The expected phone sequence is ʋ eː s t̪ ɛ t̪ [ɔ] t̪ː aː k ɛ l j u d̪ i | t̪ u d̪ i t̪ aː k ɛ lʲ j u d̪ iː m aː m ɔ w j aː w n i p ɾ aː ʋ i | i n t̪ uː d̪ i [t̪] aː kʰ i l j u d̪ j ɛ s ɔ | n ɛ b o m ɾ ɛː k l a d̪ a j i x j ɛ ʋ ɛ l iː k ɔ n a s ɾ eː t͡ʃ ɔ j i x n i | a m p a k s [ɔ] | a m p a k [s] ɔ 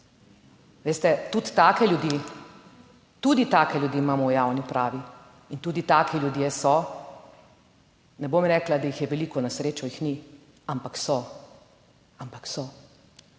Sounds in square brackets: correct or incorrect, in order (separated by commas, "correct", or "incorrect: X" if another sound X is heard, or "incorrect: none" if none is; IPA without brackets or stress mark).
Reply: incorrect: u, correct, correct, correct